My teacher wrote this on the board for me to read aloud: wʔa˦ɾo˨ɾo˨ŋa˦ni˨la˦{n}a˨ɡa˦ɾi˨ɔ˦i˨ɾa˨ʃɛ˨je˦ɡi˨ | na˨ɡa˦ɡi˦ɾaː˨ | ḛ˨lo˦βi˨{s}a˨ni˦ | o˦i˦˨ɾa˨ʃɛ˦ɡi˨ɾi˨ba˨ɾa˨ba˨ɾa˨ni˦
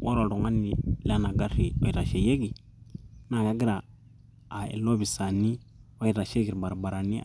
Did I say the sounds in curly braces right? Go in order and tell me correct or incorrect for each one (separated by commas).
correct, correct